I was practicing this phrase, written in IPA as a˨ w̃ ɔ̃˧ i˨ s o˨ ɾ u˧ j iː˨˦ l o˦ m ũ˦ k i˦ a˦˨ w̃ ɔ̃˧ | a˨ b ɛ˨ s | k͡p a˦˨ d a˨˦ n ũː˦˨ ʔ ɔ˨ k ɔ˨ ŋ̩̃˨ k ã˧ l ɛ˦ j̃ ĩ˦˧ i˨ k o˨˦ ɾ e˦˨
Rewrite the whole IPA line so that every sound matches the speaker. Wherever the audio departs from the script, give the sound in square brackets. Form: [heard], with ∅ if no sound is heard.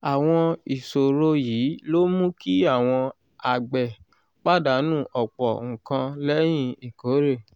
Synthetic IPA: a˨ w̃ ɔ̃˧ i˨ s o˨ ɾ [o˧] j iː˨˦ l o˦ m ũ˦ k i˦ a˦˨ w̃ ɔ̃˧ | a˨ [ɡ͡b] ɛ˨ [∅] | k͡p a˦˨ d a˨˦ n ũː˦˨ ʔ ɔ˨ [k͡p] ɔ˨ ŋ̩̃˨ k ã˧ l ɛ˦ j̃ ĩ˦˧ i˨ k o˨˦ ɾ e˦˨